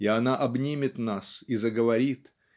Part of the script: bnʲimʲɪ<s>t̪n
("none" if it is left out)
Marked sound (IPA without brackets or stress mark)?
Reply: none